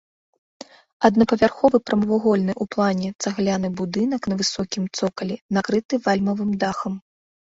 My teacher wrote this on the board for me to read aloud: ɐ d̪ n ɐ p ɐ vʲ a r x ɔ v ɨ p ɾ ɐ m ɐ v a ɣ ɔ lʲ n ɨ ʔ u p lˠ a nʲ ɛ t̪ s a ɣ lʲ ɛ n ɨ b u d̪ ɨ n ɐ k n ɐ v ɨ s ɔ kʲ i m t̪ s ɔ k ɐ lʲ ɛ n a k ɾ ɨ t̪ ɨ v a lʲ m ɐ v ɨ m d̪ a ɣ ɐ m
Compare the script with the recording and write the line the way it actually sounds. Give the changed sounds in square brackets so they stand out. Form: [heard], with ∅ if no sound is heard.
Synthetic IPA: ɐ d̪ n ɐ p ɐ vʲ a r x ɔ v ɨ p ɾ ɐ m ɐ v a ɣ ɔ lʲ n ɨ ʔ u p lˠ a nʲ ɛ t̪ s a ɣ lʲ [a] n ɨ b u d̪ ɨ n ɐ k n ɐ v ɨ s ɔ kʲ i m t̪ s ɔ k ɐ lʲ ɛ n a k ɾ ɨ t̪ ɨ v a lʲ m ɐ v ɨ m d̪ a [x] ɐ m